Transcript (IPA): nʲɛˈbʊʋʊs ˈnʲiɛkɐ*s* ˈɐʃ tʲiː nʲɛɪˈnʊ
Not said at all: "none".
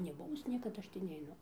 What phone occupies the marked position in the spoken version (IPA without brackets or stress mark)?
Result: t